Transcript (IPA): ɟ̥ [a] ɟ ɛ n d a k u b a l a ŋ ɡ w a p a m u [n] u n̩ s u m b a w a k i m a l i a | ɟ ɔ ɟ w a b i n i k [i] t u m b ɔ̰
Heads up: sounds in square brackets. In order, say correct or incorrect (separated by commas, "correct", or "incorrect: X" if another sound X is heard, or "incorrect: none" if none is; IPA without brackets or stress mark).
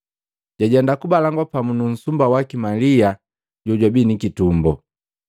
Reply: correct, correct, correct